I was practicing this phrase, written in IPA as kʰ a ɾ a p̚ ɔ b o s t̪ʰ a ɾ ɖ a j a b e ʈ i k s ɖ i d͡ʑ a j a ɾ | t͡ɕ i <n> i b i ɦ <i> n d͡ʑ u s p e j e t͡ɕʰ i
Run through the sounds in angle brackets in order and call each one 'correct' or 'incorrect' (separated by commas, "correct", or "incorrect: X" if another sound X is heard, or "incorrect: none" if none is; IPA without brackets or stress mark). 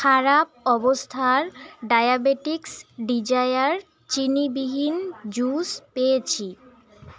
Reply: correct, correct